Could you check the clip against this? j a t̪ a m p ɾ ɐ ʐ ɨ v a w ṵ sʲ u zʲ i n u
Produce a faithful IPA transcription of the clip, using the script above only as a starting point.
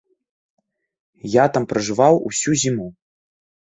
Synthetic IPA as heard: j a t̪ a m p ɾ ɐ ʐ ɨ v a w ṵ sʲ u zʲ i m u